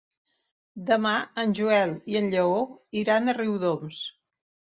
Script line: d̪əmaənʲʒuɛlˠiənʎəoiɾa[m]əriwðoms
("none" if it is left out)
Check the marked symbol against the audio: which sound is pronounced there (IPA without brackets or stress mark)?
n